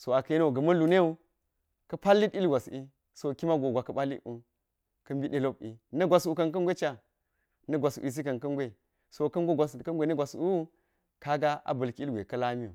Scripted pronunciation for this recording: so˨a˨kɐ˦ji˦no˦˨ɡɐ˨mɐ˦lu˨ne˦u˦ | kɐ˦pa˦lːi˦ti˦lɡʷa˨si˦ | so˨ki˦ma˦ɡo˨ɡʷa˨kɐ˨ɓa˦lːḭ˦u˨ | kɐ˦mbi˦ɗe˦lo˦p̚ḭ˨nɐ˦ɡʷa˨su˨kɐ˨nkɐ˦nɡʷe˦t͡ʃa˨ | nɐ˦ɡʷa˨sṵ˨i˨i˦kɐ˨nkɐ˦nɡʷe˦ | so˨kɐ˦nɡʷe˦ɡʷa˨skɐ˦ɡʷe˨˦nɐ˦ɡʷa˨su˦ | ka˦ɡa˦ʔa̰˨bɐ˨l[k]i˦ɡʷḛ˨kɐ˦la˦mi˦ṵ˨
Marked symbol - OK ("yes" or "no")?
yes